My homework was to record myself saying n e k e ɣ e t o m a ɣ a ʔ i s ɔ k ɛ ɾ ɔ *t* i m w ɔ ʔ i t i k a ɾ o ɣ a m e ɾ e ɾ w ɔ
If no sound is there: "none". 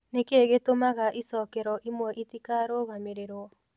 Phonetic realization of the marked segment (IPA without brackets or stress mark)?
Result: ʔ